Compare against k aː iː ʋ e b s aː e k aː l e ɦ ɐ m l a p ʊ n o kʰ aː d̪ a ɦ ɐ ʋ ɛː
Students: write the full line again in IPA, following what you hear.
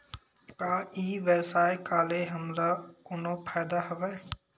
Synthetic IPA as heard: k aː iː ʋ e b s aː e k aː l e ɦ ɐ m l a k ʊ n o pʰ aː d̪ a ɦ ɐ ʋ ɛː